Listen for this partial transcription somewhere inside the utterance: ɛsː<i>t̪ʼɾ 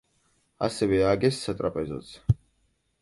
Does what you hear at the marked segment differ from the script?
yes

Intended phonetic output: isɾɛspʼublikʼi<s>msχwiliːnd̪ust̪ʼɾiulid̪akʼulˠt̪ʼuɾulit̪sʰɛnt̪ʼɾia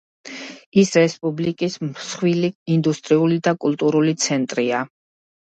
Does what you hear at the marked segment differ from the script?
no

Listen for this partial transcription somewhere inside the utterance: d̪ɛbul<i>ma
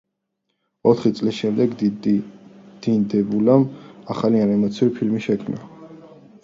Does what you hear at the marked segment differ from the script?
yes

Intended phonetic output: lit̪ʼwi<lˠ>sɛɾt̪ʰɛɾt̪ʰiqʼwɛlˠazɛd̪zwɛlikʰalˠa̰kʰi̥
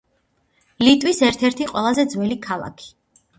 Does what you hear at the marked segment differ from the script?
yes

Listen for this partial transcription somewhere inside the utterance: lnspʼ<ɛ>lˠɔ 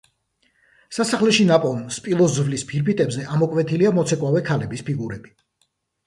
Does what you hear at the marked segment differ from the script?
yes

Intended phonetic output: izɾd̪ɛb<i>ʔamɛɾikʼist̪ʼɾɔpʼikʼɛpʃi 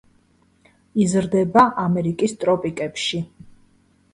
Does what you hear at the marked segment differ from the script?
yes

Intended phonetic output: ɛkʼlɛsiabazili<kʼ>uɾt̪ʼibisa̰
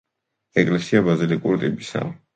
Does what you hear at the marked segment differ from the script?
no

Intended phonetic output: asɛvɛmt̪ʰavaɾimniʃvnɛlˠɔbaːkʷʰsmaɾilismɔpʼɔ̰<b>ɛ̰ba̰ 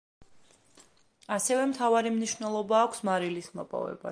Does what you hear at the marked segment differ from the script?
yes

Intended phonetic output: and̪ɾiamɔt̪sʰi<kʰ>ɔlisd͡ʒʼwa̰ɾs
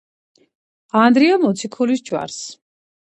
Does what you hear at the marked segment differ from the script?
no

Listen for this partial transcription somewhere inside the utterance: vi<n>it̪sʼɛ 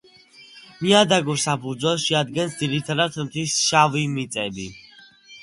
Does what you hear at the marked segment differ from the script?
yes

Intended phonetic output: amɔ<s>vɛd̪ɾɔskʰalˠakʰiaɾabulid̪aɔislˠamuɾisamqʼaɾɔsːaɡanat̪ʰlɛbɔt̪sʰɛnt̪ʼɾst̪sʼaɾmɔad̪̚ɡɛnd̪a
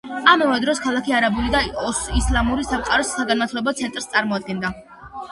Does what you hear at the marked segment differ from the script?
yes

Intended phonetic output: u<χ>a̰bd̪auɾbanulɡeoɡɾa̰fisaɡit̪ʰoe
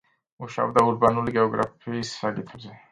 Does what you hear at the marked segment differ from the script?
yes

